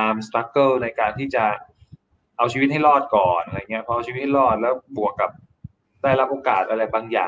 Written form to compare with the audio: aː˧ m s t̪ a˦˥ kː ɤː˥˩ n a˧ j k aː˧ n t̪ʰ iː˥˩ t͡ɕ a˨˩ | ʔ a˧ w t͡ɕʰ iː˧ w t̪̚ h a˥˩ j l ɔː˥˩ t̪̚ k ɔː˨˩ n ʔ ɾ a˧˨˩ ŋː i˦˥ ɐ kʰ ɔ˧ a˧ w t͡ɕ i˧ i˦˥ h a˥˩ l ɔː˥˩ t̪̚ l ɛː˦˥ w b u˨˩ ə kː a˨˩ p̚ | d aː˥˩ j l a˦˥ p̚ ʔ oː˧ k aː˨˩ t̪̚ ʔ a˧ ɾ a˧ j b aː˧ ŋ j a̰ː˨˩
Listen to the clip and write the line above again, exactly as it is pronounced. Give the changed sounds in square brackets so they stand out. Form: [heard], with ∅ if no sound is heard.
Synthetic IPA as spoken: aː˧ m s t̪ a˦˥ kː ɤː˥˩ n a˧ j k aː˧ n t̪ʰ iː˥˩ t͡ɕ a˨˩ | ʔ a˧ w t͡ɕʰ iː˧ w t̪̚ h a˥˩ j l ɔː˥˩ t̪̚ k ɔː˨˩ n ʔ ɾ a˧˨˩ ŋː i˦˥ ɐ [pʰ] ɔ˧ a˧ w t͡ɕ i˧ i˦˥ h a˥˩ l ɔː˥˩ t̪̚ l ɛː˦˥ w b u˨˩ ə kː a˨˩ p̚ | d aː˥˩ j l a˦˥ p̚ ʔ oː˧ k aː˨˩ t̪̚ ʔ a˧ ɾ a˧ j b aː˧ ŋ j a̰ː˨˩